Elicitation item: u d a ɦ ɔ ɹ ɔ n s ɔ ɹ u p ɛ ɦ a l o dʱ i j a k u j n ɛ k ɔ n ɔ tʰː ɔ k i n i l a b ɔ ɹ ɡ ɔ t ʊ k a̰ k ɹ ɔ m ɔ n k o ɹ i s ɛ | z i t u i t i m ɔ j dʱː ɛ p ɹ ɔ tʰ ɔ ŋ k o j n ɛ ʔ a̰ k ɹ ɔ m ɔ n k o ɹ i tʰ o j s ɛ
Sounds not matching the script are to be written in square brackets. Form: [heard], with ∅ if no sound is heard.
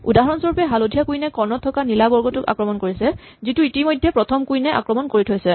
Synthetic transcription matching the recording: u d a ɦ ɔ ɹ ɔ n s ɔ ɹ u p ɛ ɦ a l o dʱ i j a k u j n ɛ k ɔ n ɔ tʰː ɔ k [a] n i l a b ɔ ɹ ɡ ɔ t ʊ k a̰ k ɹ ɔ m ɔ n k o ɹ i s ɛ | z i t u i t i m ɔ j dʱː ɛ p ɹ ɔ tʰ ɔ [m] k [u] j n ɛ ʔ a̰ k ɹ ɔ m ɔ n k o ɹ i tʰ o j s ɛ